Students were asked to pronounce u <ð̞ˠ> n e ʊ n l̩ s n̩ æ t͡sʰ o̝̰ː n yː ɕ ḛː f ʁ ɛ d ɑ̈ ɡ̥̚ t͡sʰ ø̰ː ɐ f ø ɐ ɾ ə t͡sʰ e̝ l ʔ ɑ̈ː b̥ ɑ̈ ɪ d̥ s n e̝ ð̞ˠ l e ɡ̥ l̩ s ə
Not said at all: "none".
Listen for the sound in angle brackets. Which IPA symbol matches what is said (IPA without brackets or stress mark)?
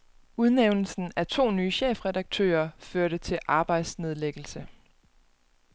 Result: ð̞ˠ